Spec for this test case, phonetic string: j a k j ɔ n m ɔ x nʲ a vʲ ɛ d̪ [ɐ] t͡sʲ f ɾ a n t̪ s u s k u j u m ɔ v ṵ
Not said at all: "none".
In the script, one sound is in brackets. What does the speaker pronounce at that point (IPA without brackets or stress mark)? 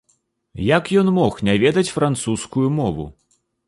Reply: ɐ